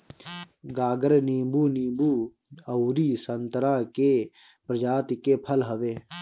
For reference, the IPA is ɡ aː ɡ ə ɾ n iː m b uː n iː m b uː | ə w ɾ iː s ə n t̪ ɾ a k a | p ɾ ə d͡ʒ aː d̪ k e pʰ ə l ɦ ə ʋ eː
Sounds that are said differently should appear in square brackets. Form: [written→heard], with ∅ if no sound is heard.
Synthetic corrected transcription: ɡ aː ɡ ə ɾ n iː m b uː n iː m b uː | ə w ɾ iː s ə n t̪ ɾ a k [a→e] | p ɾ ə d͡ʒ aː [d̪→t̪] k e pʰ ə l ɦ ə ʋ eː